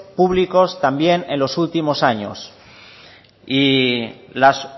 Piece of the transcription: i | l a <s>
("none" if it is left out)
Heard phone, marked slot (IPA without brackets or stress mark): s